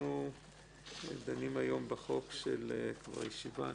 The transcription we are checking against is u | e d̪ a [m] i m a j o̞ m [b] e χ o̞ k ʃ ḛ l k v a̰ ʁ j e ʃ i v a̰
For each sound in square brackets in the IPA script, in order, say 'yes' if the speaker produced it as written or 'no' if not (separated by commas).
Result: no, yes